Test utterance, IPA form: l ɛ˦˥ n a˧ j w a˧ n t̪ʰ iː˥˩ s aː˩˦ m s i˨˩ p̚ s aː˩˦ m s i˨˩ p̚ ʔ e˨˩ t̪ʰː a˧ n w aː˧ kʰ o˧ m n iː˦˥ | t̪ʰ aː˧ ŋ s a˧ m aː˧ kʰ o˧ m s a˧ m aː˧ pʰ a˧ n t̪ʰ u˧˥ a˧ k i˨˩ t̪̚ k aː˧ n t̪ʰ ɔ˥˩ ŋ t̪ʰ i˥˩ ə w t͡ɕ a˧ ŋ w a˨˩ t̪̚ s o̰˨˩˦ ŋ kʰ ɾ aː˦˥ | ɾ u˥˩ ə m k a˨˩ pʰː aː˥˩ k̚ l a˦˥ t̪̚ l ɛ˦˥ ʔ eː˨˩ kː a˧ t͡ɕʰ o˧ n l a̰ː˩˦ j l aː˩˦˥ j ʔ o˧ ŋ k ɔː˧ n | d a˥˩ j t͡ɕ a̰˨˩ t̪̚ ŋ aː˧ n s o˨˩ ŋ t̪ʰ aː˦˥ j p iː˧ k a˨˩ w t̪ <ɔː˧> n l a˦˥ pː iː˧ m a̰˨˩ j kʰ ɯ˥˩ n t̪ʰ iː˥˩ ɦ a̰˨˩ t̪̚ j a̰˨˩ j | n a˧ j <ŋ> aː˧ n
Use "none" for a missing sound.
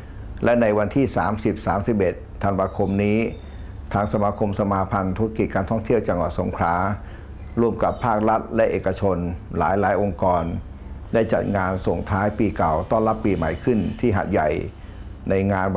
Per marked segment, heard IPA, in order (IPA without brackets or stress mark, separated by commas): ɔː˥˩, ŋ